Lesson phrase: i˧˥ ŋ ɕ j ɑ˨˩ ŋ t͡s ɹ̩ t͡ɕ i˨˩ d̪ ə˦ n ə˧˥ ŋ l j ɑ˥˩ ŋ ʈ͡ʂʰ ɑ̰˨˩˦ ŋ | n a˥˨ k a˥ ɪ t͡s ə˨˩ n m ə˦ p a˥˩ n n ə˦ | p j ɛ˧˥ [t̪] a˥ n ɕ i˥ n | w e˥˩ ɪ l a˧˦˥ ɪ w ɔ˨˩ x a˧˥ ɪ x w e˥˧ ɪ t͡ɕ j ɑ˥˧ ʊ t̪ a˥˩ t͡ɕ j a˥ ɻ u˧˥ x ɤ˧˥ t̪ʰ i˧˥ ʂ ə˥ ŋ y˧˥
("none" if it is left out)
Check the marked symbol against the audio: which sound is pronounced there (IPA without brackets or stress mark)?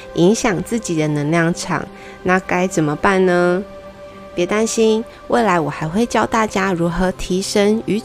t̪